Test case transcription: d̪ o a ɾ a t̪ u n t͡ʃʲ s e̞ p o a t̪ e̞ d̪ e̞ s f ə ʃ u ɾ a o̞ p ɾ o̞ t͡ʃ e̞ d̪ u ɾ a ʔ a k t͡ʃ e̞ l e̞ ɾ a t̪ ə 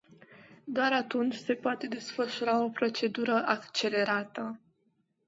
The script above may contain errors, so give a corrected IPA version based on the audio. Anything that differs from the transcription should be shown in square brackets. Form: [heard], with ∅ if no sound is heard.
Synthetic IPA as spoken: d̪ o a ɾ a t̪ u n t͡ʃʲ s e̞ p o a t̪ e̞ d̪ e̞ s f ə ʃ u ɾ a o̞ p ɾ o̞ t͡ʃ e̞ d̪ u ɾ [ə] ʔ a k t͡ʃ e̞ l e̞ ɾ a t̪ ə